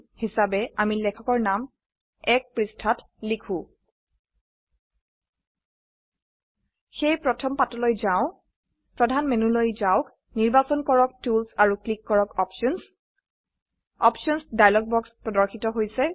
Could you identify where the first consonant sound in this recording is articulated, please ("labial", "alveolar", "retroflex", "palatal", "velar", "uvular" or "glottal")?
glottal